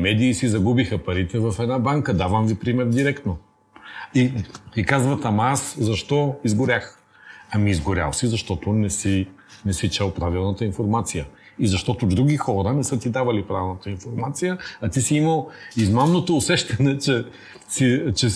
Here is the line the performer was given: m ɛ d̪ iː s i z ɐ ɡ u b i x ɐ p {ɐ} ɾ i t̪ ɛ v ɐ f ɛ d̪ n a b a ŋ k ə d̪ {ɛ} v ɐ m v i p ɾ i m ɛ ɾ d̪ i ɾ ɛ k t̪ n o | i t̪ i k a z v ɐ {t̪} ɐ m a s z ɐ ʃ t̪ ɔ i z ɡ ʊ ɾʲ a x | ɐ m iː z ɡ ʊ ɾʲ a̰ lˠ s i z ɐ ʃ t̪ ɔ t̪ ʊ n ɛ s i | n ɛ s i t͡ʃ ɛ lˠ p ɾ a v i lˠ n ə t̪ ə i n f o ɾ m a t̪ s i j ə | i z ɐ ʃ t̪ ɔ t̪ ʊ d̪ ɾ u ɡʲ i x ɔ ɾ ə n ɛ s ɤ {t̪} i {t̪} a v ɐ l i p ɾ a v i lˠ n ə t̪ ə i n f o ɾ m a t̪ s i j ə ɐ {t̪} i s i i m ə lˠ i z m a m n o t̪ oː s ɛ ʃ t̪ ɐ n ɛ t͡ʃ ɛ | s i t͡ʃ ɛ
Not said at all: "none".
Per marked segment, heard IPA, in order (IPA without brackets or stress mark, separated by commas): ɐ, a, t̪, t̪, d̪, t̪